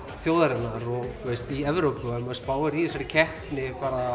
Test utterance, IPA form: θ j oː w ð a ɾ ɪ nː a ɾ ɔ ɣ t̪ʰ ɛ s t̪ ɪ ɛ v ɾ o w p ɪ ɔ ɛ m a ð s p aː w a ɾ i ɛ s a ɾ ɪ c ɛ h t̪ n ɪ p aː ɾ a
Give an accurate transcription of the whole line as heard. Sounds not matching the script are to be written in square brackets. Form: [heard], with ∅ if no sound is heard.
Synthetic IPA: θ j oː w ð a ɾ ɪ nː a ɾ ɔ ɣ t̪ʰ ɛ s t̪ [i] ɛ v ɾ o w p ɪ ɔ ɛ m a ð s p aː w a ɾ i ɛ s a ɾ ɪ [cʰ] ɛ h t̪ n ɪ p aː ɾ a